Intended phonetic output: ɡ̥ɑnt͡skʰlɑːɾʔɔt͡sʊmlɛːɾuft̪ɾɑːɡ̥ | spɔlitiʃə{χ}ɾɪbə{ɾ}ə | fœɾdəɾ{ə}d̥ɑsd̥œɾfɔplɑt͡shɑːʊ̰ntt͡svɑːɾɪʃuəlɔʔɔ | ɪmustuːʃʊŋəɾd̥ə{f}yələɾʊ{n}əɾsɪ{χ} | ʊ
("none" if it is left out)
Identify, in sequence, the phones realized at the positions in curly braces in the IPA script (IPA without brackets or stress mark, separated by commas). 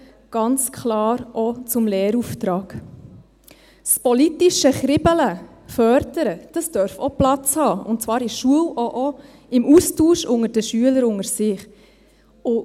χ, l, ə, ʃ, ŋ, χ